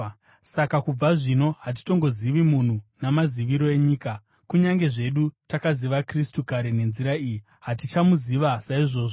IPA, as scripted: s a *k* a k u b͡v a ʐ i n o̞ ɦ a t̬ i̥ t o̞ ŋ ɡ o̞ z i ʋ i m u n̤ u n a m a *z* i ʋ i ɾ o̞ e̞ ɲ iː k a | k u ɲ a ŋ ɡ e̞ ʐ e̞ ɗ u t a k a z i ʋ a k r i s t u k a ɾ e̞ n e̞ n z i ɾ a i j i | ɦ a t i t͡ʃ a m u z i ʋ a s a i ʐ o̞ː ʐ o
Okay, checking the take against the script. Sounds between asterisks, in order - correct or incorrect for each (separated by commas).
correct, correct